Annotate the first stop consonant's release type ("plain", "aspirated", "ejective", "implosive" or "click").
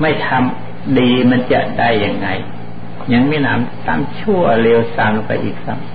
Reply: aspirated